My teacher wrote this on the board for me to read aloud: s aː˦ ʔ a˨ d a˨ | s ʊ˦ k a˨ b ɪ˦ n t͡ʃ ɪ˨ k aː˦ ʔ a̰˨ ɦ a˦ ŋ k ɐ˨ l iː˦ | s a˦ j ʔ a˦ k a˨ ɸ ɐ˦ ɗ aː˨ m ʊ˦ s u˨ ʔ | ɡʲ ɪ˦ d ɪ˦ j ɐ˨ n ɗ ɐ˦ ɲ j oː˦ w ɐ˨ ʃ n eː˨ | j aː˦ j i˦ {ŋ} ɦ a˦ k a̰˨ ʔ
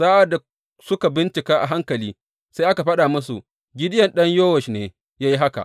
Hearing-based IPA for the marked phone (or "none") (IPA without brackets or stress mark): none